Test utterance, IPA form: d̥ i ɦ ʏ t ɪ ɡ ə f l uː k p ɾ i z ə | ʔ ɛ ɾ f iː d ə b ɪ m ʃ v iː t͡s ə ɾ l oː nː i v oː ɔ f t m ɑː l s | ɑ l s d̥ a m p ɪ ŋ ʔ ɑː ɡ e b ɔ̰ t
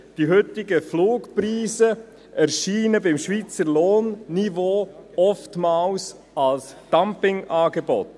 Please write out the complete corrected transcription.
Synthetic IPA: d̥ i ɦ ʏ t ɪ ɡ ə f l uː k p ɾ iː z ə | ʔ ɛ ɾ ʃ iː n ə b ɪ m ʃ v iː t͡s ə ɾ l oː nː i v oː ɔ f t m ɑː l s | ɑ l s d̥ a m p ɪ ŋ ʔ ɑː ɡ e b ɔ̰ t